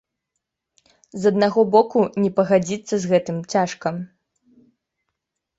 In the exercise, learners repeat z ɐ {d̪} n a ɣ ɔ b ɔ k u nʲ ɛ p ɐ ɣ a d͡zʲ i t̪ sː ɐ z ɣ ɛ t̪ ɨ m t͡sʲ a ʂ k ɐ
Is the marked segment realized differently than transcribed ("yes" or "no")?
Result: no